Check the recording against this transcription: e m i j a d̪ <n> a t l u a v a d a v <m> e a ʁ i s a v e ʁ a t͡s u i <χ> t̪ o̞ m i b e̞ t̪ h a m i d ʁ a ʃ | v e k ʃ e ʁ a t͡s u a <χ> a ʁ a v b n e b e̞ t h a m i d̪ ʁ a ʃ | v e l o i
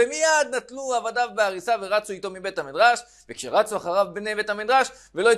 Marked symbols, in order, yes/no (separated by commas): yes, no, no, yes